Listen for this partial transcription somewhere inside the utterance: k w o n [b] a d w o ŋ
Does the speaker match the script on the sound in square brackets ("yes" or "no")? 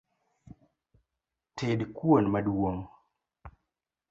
no